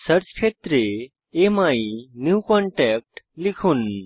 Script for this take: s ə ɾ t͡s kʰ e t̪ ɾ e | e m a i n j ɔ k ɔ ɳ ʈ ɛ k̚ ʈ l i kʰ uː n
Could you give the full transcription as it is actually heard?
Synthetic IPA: s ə ɾ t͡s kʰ e t̪ ɾ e | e m a i n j u k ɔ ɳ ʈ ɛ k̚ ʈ l i kʰ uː n